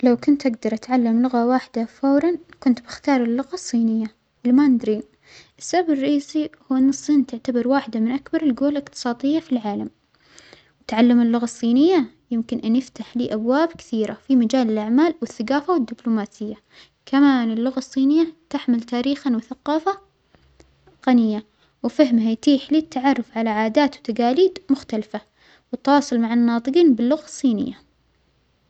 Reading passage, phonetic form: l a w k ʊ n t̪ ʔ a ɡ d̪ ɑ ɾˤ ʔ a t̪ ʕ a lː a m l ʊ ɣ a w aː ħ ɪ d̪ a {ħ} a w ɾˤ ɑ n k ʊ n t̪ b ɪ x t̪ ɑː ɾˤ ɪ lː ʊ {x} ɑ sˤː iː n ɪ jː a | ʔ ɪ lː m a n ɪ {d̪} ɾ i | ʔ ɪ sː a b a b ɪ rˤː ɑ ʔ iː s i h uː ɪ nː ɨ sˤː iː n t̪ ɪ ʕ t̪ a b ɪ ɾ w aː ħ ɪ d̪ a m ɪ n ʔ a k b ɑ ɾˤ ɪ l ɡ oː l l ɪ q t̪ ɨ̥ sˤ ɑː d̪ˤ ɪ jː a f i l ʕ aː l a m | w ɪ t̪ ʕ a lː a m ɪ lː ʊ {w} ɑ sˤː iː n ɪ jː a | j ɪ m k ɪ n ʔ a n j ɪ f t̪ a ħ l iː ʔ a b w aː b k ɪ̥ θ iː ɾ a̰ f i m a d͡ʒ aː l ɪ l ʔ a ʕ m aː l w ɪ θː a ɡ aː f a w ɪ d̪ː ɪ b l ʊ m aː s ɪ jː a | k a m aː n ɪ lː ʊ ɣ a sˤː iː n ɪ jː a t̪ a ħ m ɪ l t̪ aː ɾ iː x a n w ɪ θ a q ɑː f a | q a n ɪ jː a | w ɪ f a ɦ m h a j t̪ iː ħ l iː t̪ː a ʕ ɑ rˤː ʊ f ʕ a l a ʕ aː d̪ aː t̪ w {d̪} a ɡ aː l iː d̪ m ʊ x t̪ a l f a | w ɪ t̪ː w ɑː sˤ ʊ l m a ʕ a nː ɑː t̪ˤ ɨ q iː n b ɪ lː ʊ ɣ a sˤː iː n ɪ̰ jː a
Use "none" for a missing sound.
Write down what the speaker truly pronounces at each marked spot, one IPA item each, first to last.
f, ɣ, d̪, ɣ, t̪

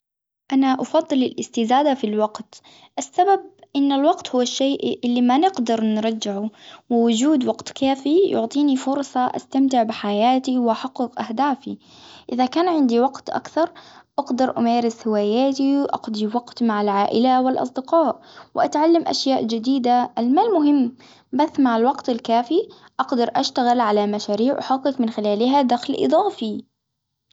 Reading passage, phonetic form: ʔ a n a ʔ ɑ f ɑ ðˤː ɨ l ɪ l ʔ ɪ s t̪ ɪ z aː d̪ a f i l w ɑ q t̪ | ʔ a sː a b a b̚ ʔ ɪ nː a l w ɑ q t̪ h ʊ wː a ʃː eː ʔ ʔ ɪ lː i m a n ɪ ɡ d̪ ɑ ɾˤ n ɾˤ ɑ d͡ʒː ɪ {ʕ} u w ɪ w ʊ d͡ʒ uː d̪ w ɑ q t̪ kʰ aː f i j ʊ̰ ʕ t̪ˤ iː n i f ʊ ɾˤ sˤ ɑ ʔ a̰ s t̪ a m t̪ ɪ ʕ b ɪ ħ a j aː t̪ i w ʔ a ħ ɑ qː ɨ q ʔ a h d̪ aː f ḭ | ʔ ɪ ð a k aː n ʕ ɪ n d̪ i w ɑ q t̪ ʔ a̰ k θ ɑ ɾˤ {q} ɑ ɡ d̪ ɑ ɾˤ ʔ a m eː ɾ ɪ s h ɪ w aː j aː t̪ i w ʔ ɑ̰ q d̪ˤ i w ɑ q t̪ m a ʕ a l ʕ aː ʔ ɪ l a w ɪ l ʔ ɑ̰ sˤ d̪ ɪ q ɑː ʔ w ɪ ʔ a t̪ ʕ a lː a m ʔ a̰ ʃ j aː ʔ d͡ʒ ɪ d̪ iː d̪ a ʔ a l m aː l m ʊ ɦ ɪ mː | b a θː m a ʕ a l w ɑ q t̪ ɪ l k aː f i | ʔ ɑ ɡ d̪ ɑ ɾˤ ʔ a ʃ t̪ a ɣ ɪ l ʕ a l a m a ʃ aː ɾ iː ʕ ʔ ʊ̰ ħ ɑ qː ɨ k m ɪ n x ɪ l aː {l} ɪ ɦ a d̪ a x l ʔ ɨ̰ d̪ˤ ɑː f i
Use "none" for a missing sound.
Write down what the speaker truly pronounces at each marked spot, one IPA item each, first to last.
ʕ, ʔ, l

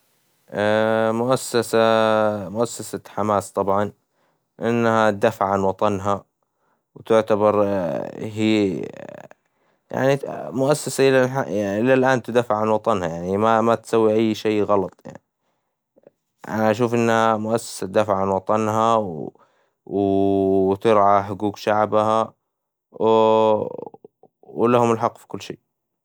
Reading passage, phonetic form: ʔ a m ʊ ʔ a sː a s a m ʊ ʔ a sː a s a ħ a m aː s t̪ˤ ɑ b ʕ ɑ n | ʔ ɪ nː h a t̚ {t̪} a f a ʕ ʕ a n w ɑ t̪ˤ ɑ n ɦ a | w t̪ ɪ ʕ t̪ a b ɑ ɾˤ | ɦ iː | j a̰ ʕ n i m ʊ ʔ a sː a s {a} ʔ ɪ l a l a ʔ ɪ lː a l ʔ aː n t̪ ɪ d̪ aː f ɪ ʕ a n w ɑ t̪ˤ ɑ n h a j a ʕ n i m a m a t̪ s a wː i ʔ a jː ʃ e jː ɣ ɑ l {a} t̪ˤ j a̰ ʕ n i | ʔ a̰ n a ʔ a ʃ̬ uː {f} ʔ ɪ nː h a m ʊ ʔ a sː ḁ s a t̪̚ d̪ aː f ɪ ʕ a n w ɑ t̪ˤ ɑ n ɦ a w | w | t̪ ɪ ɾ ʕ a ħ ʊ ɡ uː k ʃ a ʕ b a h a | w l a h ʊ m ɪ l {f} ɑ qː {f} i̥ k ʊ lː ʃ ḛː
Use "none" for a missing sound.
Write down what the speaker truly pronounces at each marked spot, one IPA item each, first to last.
d̪, a, ɑ, f, ħ, f

